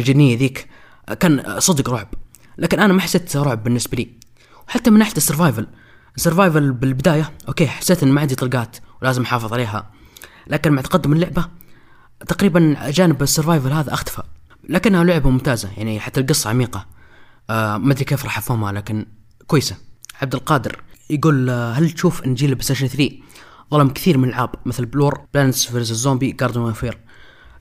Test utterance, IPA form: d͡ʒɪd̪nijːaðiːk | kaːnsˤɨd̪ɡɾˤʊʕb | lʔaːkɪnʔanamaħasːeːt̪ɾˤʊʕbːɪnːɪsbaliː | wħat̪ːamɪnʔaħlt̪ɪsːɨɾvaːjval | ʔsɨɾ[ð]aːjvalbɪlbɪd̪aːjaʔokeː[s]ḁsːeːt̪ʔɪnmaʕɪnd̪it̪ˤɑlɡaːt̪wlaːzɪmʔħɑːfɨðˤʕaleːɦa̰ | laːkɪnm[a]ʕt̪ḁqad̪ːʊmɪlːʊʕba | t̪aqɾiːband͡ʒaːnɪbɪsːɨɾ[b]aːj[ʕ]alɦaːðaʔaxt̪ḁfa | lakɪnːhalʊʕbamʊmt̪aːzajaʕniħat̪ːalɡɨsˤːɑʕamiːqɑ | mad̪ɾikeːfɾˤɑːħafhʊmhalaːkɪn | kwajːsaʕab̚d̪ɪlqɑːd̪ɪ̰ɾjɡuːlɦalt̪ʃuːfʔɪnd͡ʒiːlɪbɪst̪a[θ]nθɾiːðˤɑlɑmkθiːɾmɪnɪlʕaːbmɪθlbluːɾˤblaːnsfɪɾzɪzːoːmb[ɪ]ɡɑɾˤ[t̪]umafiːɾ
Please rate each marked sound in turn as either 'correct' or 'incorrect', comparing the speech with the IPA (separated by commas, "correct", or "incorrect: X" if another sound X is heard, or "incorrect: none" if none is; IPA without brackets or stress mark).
incorrect: v, incorrect: ħ, correct, incorrect: v, incorrect: v, incorrect: ʃ, incorrect: i, incorrect: d̪